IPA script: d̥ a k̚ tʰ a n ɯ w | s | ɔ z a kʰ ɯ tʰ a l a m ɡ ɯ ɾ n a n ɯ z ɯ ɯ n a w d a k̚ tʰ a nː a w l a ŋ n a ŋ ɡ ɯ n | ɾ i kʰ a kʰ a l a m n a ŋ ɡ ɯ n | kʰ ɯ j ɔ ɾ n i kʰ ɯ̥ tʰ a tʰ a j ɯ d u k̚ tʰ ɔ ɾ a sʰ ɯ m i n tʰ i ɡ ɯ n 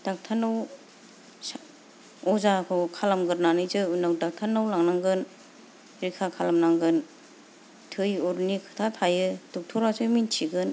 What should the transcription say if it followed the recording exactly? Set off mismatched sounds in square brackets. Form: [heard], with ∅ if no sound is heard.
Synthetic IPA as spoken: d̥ a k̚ tʰ a n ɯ w | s | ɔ z a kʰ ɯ [kʰ] a l a m ɡ ɯ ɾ n a n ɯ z ɯ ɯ n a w d a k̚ tʰ a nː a w l a ŋ n a ŋ ɡ ɯ n | ɾ i kʰ a kʰ a l a m n a ŋ ɡ ɯ n | [tʰ] ɯ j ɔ ɾ n i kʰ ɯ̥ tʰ a tʰ a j ɯ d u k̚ tʰ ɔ ɾ a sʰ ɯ m i n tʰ i ɡ ɯ n

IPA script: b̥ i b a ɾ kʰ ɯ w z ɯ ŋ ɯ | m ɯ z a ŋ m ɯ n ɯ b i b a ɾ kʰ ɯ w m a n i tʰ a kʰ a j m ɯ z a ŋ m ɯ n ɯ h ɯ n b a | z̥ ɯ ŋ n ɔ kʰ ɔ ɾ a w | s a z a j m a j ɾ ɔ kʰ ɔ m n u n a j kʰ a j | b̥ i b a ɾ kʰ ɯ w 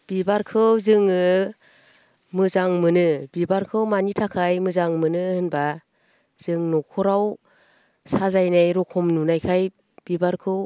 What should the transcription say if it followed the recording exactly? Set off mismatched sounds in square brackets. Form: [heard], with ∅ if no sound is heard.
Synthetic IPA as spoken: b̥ i b a ɾ kʰ ɯ w z ɯ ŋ ɯ | m ɯ z a ŋ m ɯ n ɯ b i b a ɾ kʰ ɯ w m a n i tʰ a kʰ a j m ɯ z a ŋ m ɯ n ɯ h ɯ n b a | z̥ ɯ ŋ n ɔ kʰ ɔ ɾ a w | s a z a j [n] a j ɾ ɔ kʰ ɔ m n u n a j kʰ a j | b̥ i b a ɾ kʰ ɯ w

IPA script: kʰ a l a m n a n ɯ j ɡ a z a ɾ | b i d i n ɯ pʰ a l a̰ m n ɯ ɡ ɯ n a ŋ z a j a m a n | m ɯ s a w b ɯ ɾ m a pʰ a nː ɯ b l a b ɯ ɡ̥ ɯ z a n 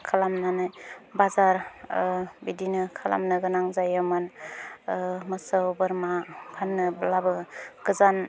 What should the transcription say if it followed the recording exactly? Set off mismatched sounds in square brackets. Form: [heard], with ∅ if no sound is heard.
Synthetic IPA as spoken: kʰ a l a m n a n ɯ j [b] a z a ɾ | b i d i n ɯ [kʰ] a l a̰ m n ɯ ɡ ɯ n a ŋ z a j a m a n | m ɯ s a w b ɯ ɾ m a [kʰ] a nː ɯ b l a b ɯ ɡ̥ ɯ z a n

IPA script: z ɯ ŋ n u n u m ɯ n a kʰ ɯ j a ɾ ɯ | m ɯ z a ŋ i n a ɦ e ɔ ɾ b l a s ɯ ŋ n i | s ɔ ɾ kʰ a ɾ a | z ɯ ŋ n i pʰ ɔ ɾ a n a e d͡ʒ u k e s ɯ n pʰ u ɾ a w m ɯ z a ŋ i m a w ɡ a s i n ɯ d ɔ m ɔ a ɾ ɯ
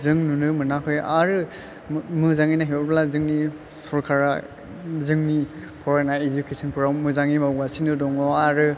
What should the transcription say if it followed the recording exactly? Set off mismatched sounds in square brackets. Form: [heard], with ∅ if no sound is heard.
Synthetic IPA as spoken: z ɯ ŋ n u n [ɯ] m ɯ n a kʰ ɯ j a ɾ ɯ | m ɯ z a ŋ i n a ɦ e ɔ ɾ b l a [z] ɯ ŋ n i | s ɔ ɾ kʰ a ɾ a | z ɯ ŋ n i pʰ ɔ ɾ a n a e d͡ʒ u k e s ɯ n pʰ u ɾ a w m ɯ z a ŋ i m a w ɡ a s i n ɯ d ɔ [ŋ] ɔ a ɾ ɯ

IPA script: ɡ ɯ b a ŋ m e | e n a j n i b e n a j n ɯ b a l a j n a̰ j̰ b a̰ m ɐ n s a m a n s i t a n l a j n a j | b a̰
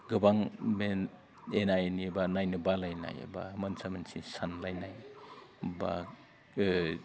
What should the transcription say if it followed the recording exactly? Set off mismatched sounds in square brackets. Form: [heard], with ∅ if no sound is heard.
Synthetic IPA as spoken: ɡ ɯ b a ŋ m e | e n a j n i b [a] n a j n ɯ b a l a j n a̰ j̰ b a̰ m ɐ n s a m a n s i [s] a n l a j n a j | b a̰

